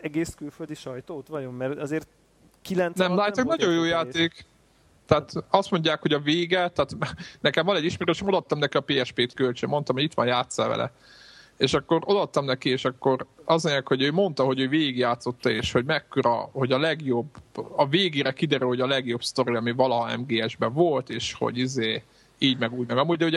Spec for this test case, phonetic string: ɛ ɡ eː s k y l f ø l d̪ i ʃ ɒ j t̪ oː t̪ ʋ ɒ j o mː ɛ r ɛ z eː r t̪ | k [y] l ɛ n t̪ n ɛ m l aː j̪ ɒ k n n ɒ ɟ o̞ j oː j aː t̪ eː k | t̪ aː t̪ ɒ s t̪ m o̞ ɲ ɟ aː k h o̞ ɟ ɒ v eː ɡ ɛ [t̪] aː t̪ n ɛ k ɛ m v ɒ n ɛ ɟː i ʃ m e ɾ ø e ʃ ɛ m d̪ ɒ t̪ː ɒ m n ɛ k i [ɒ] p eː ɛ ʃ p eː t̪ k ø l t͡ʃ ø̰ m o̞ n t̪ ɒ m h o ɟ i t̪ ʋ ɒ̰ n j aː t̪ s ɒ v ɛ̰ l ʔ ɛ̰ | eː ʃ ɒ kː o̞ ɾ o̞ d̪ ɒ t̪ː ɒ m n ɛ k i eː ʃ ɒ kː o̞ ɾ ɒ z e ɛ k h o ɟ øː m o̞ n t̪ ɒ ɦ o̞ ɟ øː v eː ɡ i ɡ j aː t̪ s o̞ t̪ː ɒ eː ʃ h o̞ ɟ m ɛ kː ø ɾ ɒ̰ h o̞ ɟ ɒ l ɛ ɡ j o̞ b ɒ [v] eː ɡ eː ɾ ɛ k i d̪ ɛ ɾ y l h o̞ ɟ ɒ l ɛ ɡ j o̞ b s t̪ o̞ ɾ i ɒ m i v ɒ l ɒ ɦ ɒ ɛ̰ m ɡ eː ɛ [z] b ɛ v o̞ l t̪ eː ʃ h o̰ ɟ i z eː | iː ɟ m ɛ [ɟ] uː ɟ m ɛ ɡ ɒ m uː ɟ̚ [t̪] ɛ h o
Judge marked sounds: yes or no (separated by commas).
no, yes, yes, yes, no, no, no